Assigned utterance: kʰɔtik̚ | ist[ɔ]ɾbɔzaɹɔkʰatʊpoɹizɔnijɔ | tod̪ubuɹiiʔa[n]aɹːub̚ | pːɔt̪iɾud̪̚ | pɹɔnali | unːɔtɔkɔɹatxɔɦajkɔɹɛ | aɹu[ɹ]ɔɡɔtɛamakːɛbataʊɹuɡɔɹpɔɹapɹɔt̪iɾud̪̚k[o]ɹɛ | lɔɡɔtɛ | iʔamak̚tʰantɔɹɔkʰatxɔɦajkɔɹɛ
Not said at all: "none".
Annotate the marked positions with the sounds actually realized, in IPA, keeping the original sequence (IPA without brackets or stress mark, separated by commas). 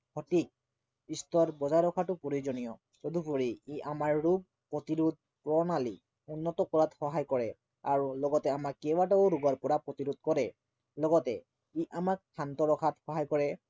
ɔ, m, l, ɔ